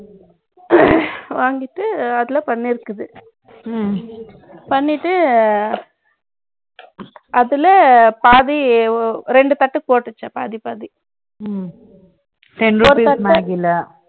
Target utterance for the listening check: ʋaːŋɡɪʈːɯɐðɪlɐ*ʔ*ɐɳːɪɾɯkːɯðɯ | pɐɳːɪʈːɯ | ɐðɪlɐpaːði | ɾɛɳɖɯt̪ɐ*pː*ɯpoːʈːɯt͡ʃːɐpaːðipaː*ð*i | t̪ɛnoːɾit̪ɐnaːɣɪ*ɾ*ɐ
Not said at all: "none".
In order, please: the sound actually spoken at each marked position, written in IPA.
p, ʈː, ð, l

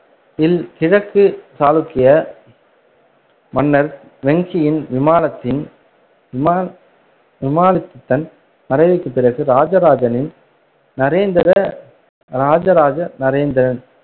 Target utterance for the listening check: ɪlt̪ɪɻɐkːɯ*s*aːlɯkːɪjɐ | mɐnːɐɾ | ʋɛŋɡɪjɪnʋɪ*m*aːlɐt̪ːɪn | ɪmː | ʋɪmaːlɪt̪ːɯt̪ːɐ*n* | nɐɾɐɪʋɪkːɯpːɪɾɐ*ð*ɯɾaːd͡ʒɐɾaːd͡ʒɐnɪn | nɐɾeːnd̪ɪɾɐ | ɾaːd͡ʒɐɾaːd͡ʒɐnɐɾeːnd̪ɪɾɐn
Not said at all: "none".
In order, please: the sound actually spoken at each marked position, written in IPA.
s, m, n, ɣ

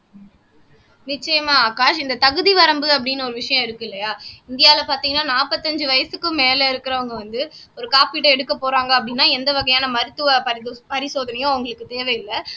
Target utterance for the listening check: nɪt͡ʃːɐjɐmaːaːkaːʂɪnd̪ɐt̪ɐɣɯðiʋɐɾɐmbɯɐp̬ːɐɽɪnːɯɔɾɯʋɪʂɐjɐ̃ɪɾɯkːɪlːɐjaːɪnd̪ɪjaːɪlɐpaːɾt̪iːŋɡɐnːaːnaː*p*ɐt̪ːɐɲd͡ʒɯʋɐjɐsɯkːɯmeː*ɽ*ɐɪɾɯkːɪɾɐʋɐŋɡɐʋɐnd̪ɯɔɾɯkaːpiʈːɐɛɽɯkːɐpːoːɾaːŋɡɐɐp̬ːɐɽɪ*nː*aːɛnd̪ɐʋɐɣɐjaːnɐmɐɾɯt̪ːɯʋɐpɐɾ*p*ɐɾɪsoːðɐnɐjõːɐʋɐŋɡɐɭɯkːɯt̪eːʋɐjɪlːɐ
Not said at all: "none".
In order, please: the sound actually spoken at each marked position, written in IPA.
p, l, nː, p

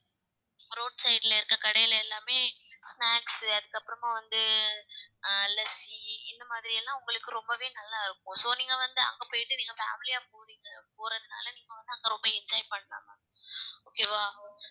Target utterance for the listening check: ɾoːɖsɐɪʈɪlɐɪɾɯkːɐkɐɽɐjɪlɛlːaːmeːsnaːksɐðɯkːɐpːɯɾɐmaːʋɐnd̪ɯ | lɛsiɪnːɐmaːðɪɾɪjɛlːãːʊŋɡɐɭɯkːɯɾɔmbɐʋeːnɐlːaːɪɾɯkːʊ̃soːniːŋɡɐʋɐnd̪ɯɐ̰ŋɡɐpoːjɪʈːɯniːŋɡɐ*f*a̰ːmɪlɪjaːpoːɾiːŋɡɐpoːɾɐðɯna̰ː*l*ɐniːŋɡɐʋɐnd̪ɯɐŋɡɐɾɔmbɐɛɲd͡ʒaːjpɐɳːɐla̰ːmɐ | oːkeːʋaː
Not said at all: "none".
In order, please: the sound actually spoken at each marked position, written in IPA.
f, l

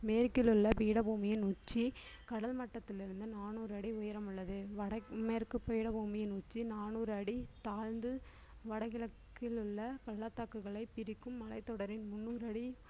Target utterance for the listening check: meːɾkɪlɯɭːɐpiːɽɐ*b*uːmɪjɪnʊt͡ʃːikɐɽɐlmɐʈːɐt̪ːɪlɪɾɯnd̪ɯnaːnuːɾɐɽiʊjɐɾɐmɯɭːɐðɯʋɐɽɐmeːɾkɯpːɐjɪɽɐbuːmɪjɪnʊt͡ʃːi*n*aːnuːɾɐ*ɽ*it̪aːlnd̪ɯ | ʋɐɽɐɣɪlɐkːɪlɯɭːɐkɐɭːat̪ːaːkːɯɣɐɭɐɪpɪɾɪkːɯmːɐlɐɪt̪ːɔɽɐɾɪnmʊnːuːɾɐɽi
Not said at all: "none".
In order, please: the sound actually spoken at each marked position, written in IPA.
b, n, ɽ

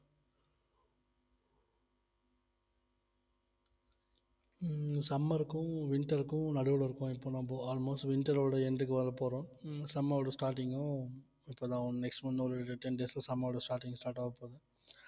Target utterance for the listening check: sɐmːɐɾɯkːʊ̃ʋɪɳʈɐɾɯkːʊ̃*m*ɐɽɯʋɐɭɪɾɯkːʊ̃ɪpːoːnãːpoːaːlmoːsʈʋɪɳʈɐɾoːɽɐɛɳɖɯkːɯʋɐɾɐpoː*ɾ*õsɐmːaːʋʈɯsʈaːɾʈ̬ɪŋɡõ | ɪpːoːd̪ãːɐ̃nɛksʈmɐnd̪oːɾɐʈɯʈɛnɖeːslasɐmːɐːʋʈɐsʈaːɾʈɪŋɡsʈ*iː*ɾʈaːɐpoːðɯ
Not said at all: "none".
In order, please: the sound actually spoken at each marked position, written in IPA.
n, ɾ, aː

